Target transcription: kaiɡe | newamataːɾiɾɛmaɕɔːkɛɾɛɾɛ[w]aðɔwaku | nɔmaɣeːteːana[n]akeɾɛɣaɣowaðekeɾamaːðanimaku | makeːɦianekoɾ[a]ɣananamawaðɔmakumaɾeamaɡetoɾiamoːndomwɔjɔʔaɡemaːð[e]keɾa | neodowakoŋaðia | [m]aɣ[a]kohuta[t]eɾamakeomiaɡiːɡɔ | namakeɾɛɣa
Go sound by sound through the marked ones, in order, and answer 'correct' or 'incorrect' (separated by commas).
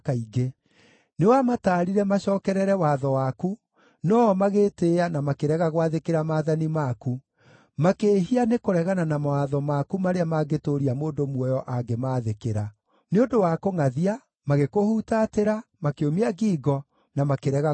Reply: correct, incorrect, incorrect, correct, correct, incorrect, correct